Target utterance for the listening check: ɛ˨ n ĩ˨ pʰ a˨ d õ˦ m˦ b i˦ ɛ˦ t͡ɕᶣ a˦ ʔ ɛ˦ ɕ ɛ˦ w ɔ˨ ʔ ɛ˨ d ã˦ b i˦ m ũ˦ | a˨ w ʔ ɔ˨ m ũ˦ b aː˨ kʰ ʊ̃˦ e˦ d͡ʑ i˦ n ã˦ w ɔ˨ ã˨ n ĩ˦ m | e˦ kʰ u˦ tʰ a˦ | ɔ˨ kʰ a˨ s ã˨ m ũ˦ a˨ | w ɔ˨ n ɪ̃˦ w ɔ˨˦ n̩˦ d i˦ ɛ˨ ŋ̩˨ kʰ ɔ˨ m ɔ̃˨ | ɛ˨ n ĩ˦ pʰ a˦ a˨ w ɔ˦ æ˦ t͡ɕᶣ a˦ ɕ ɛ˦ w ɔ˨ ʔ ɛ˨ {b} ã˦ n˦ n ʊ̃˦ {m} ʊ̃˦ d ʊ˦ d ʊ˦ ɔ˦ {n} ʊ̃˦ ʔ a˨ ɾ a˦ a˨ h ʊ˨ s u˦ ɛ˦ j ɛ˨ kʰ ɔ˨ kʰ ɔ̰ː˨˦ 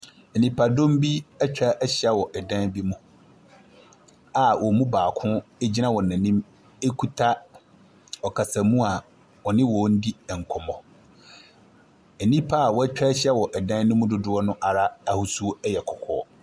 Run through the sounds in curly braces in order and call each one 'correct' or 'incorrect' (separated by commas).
incorrect, correct, correct